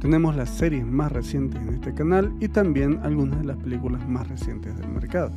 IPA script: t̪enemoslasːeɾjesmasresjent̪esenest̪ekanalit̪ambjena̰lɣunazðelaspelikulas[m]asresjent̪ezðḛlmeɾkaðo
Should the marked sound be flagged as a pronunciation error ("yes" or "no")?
no